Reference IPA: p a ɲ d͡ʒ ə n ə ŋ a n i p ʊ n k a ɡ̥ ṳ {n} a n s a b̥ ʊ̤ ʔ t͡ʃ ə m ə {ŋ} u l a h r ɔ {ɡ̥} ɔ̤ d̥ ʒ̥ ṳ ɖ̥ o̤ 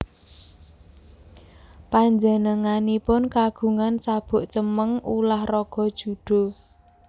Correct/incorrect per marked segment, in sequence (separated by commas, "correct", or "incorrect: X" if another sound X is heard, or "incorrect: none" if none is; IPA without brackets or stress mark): incorrect: ŋ, correct, correct